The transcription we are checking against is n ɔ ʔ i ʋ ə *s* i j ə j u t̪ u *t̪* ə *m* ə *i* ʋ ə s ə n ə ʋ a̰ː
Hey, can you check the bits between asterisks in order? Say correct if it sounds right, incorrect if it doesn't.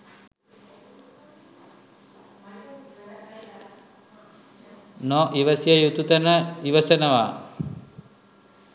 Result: correct, correct, incorrect: n, correct

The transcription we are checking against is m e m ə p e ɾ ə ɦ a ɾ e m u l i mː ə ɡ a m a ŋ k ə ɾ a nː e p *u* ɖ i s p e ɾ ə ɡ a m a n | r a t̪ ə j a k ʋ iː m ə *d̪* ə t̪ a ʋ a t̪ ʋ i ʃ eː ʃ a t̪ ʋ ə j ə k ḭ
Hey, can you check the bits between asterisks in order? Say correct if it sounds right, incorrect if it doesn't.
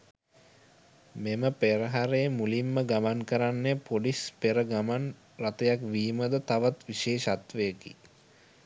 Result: incorrect: o, correct

